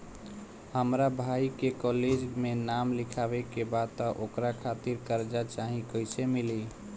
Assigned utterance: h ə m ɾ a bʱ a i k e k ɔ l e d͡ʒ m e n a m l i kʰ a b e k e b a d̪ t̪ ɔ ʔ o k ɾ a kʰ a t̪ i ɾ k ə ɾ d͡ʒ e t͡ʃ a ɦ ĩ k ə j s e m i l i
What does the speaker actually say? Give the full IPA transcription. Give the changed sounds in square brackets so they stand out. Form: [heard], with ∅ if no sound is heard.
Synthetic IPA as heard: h ə m ɾ a bʱ a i k e k ɔ l e d͡ʒ m e n a m l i kʰ a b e k e b a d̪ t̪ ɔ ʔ o k ɾ a kʰ a t̪ i ɾ k ə ɾ d͡ʒ [a] t͡ʃ a ɦ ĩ k ə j s e m i l i